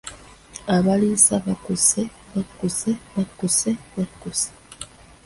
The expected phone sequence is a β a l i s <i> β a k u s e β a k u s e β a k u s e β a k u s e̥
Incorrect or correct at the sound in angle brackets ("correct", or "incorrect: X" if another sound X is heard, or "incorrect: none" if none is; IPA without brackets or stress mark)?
incorrect: a